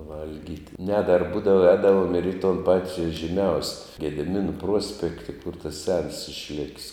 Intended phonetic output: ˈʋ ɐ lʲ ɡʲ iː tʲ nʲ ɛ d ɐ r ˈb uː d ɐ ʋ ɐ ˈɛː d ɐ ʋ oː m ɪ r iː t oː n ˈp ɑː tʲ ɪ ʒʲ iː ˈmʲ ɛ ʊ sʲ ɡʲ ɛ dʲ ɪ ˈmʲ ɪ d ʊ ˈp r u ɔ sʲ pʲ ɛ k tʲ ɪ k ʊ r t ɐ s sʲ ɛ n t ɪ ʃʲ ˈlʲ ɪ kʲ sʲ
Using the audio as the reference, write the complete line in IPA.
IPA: ˈʋ ɐ lʲ ɡʲ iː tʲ nʲ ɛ d ɐ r ˈb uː d ɐ ʋ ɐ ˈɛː d ɐ ʋ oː m ɪ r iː t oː n ˈp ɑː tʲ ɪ ʒʲ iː ˈmʲ ɛ ʊ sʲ ɡʲ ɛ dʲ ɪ ˈmʲ ɪ n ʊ ˈp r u ɔ sʲ pʲ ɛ k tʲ ɪ k ʊ r t ɐ s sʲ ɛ n s ɪ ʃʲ ˈlʲ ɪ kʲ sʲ

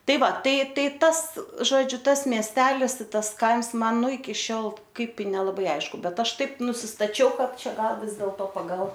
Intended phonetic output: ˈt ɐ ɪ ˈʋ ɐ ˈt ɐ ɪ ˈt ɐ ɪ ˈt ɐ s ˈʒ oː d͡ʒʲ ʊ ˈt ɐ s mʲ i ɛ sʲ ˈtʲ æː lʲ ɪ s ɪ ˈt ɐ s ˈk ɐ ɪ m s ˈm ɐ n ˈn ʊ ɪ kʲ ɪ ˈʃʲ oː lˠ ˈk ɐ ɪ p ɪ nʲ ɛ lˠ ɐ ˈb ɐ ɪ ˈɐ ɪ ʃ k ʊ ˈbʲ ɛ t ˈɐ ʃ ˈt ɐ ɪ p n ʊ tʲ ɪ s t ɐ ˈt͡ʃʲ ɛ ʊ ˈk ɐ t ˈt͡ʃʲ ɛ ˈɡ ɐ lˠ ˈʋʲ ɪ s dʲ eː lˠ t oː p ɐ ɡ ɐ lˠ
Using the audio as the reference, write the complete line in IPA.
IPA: ˈt ɐ ɪ ˈʋ ɐ ˈt ɐ ɪ ˈt ɐ ɪ ˈt ɐ s ˈʒ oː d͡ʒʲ ʊ ˈt ɐ s mʲ i ɛ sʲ ˈtʲ æː lʲ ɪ s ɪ ˈt ɐ s ˈk ɐ ɪ m s ˈm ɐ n ˈn ʊ ɪ kʲ ɪ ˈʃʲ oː lˠ ˈk ɐ ɪ p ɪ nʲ ɛ lˠ ɐ ˈb ɐ ɪ ˈɐ ɪ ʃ k ʊ ˈbʲ ɛ t ˈɐ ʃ ˈt ɐ ɪ p n ʊ sʲ ɪ s t ɐ ˈt͡ʃʲ ɛ ʊ ˈk ɐ t ˈt͡ʃʲ ɛ ˈɡ ɐ lˠ ˈʋʲ ɪ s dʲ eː lˠ t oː p ɐ ɡ ɐ lˠ

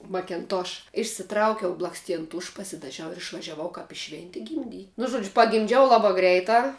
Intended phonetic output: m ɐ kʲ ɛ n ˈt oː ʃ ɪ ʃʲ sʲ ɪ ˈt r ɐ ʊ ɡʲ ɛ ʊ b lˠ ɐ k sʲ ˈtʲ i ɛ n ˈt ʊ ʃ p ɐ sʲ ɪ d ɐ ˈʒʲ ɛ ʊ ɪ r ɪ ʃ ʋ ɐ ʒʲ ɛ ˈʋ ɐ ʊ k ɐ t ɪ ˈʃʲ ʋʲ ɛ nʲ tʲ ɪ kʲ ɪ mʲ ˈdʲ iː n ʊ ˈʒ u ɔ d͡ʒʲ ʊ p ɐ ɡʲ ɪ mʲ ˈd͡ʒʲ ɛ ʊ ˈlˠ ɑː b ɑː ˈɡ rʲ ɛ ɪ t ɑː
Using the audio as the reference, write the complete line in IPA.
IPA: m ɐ kʲ ɛ n ˈt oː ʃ ɪ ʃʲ sʲ ɪ ˈt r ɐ ʊ kʲ ɛ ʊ b lˠ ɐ k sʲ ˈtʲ i ɛ n ˈt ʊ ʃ p ɐ sʲ ɪ d ɐ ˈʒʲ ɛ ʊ ɪ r ɪ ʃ ʋ ɐ ʒʲ ɛ ˈʋ ɐ ʊ k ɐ p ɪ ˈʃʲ ʋʲ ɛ nʲ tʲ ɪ ɡʲ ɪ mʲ ˈdʲ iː n ʊ ˈʒ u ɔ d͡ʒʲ ʊ p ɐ ɡʲ ɪ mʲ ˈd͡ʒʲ ɛ ʊ ˈlˠ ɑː b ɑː ˈɡ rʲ ɛ ɪ t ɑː

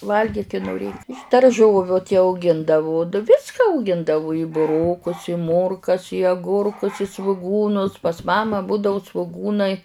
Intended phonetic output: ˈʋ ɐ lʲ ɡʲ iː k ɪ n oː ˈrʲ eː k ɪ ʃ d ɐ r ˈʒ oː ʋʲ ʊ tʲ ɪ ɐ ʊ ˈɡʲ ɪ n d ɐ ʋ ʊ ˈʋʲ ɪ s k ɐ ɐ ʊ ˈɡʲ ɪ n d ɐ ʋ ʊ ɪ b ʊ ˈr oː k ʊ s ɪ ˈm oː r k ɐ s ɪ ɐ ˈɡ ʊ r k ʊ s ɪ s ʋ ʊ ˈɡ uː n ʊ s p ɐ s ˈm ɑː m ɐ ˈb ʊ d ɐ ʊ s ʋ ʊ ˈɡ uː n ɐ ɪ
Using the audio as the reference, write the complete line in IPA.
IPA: ˈʋ ɐ lʲ ɡʲ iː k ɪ n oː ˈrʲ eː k ɪ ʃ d ɐ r ˈʒ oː ʋʲ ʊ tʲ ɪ ɐ ʊ ˈɡʲ ɪ n d ɐ ʋ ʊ ˈʋʲ ɪ s k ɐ ɐ ʊ ˈɡʲ ɪ n d ɐ ʋ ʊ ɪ b ʊ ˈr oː k ʊ s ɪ ˈm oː r k ɐ s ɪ ɐ ˈɡ ʊ r k ʊ s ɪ s ʋ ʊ ˈɡ uː n ʊ s p ɐ s ˈm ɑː m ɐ ˈb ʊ d ɐ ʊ s ʋ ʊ ˈɡ uː n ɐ ɪ

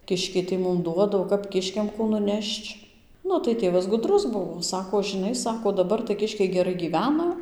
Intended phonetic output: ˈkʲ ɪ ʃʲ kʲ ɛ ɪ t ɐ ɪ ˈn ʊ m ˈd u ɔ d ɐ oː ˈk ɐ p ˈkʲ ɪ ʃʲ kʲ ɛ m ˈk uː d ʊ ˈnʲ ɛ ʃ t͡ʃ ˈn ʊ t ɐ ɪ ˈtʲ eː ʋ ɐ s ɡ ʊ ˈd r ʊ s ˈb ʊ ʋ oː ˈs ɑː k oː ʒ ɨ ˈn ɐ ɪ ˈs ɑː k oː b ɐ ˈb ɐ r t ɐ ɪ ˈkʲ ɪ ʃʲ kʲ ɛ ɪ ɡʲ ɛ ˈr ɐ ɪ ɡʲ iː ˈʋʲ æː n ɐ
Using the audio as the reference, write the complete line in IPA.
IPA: ˈkʲ ɪ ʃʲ kʲ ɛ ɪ t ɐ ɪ ˈm ʊ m ˈd u ɔ d ɐ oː ˈk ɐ p ˈkʲ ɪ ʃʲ kʲ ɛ m ˈk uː n ʊ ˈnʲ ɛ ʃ t͡ʃ ˈn ʊ t ɐ ɪ ˈtʲ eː ʋ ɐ s ɡ ʊ ˈd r ʊ s ˈb ʊ ʋ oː ˈs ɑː k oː ʒ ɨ ˈn ɐ ɪ ˈs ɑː k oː d ɐ ˈb ɐ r t ɐ ɪ ˈkʲ ɪ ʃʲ kʲ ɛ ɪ ɡʲ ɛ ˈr ɐ ɪ ɡʲ iː ˈʋʲ æː n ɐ

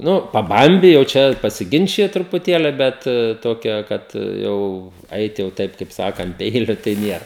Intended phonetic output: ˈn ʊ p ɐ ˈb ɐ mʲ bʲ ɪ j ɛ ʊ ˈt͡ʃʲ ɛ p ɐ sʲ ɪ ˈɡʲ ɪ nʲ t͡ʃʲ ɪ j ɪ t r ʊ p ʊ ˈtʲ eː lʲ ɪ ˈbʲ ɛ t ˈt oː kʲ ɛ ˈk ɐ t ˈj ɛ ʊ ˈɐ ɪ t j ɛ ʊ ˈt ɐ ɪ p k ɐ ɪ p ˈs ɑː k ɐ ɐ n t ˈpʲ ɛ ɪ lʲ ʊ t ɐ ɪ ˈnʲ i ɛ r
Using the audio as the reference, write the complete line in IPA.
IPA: ˈn ʊ p ɐ ˈb ɐ mʲ bʲ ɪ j ɛ ʊ ˈt͡ʃʲ ɛ p ɐ sʲ ɪ ˈɡʲ ɪ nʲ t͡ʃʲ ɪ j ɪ t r ʊ p ʊ ˈtʲ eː lʲ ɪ ˈbʲ ɛ t ˈt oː kʲ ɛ ˈk ɐ t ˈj ɛ ʊ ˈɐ ɪ t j ɛ ʊ ˈt ɐ ɪ p k ɐ ɪ p ˈs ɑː k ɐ ɐ n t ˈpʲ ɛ ɪ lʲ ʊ t ɐ ɪ ˈnʲ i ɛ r

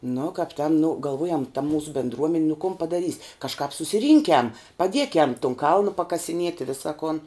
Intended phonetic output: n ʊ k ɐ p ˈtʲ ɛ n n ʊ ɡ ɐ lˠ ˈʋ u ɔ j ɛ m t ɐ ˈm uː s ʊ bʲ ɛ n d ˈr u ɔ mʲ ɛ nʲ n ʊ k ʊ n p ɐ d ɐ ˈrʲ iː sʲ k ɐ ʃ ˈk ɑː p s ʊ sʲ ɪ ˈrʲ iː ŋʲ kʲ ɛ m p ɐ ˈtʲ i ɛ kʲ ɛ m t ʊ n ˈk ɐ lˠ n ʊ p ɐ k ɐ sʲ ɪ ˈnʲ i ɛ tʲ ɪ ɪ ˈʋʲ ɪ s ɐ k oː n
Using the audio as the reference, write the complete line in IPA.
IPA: n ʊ k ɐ p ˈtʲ ɛ n n ʊ ɡ ɐ lˠ ˈʋ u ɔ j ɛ m t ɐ ˈm uː s ʊ bʲ ɛ n d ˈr u ɔ mʲ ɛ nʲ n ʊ k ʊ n p ɐ d ɐ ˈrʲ iː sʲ k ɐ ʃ ˈk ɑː p s ʊ sʲ ɪ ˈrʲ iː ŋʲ kʲ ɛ m p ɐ ˈdʲ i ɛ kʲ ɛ m t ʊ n ˈk ɐ lˠ n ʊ p ɐ k ɐ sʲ ɪ ˈnʲ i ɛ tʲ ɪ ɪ ˈʋʲ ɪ s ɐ k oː n

